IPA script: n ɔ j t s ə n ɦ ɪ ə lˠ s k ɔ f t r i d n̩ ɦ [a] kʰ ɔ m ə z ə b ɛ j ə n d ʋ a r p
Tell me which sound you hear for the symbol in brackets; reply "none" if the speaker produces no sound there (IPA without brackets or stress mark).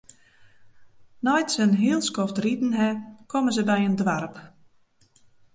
ɛ